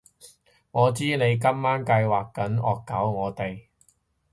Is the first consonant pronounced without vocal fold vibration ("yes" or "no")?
no